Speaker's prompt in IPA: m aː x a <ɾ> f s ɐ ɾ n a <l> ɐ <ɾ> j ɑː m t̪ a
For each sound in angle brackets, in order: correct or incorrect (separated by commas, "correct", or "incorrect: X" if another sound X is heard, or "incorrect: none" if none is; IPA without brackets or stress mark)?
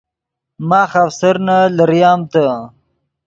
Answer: incorrect: none, correct, correct